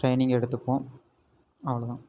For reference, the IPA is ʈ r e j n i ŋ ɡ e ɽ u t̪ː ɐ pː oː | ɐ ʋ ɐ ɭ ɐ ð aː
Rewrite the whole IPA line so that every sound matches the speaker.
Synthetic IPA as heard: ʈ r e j n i ŋ ɡ e ɽ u t̪ː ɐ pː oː | ɐ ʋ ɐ ɭ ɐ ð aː